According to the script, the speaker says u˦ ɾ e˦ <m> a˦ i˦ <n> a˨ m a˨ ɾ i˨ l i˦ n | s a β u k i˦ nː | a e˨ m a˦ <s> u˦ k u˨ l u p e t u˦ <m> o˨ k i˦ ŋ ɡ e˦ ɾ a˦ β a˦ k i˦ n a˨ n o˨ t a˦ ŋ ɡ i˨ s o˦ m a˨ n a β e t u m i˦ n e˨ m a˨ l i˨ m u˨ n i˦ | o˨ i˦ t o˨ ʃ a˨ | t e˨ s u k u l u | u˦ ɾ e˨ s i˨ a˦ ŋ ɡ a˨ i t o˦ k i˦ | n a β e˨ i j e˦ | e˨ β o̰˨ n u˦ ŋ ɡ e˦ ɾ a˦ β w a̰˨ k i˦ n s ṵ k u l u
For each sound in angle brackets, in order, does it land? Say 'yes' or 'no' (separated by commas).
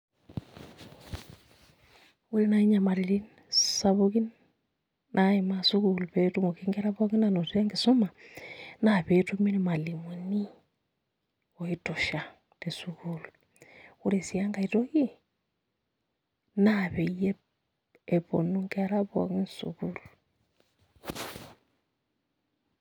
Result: no, no, yes, yes